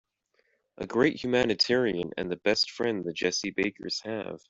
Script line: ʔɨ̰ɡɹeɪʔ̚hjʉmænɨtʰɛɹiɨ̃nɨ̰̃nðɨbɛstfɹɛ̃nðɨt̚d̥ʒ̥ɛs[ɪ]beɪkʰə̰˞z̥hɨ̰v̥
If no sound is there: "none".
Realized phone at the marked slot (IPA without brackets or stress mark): i